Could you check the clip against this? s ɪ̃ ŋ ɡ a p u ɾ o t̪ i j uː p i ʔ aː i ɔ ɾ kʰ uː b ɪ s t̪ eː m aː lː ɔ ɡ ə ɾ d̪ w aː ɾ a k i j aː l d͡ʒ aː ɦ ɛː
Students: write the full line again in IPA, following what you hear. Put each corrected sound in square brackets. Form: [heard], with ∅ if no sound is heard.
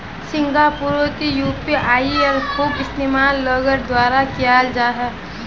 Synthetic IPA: s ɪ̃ ŋ ɡ a p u ɾ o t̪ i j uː p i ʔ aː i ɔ ɾ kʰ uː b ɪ s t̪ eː m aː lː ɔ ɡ ə ɾ d̪ w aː ɾ a k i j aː l d͡ʒ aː ɦ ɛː